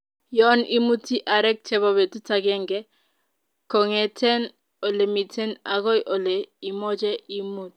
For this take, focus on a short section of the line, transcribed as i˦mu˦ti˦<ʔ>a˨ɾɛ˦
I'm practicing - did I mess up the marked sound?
no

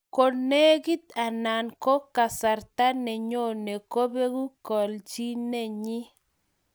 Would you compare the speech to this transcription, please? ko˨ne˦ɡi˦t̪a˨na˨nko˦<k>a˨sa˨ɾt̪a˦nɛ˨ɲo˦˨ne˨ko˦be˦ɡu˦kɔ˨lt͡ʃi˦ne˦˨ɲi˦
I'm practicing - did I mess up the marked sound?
no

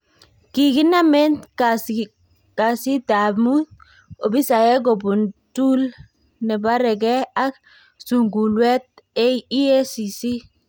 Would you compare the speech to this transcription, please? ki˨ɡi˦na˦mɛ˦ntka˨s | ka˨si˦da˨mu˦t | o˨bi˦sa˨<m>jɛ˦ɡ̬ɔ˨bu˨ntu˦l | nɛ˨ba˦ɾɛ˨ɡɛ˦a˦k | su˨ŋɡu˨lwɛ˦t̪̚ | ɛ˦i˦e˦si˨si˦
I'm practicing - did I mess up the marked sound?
yes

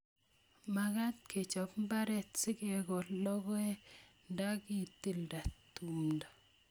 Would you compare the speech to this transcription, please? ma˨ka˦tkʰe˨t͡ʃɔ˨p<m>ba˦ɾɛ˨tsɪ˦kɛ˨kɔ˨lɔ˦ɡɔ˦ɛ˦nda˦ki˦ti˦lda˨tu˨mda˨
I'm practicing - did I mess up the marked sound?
no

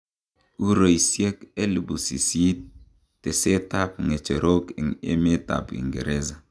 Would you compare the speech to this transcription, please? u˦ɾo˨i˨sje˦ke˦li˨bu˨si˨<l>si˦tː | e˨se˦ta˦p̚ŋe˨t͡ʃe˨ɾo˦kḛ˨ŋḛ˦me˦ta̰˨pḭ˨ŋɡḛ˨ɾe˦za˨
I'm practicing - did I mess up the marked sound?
yes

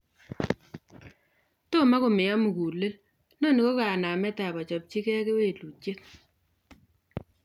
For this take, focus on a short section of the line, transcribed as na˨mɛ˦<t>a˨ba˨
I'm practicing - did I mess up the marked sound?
no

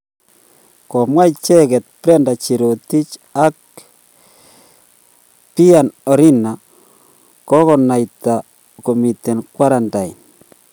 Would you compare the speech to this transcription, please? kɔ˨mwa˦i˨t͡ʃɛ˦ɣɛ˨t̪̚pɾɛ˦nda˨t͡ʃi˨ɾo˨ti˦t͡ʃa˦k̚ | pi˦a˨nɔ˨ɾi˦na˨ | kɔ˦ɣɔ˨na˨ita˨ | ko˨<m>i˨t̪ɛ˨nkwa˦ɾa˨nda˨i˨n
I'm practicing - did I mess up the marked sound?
no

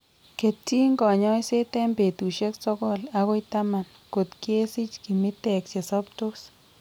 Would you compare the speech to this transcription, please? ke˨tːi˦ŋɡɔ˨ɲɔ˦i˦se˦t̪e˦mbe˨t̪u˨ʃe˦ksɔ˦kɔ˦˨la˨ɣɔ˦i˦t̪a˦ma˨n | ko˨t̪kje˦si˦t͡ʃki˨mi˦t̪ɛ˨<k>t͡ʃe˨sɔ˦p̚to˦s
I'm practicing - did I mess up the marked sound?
no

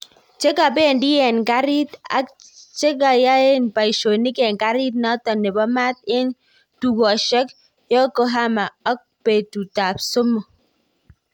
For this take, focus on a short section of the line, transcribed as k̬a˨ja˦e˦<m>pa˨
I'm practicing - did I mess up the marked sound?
yes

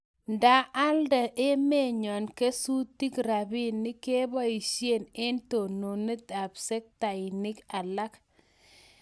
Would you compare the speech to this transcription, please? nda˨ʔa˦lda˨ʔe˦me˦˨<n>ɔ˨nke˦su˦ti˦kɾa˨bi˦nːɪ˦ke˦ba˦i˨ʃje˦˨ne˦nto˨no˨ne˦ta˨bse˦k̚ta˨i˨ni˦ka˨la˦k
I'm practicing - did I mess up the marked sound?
yes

